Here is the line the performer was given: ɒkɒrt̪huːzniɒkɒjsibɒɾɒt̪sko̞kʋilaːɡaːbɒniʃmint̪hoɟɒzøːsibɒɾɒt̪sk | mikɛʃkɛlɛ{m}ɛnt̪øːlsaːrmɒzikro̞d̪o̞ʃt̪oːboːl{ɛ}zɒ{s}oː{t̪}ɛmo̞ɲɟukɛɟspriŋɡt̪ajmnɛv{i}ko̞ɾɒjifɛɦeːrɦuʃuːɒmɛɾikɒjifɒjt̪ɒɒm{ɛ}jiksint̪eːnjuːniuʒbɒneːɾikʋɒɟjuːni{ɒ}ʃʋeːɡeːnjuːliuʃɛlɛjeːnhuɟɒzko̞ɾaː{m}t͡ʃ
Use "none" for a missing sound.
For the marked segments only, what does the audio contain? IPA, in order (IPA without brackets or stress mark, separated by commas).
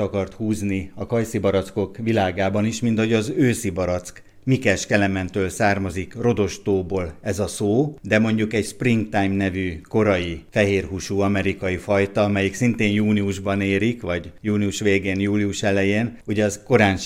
m, ɛ, s, d̪, y, ɛ, u, n